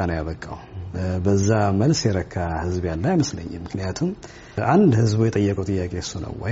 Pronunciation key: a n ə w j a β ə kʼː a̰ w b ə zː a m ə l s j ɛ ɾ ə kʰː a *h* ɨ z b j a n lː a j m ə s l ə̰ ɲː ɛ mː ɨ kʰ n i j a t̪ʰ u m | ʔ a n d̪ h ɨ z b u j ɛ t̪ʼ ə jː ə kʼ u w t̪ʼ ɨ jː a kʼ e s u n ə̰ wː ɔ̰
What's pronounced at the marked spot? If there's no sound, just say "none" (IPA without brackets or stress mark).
h